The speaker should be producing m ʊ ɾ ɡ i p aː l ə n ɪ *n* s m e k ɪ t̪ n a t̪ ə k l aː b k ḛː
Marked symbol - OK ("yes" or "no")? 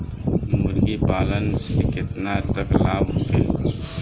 no